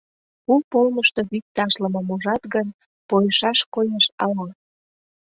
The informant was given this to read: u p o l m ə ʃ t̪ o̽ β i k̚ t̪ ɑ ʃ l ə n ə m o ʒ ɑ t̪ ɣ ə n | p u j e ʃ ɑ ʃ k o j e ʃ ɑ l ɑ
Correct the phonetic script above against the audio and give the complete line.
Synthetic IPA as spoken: u p o l m ə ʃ t̪ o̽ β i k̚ t̪ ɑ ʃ l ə m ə m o ʒ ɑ t̪ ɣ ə n | p o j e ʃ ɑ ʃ k o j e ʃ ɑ l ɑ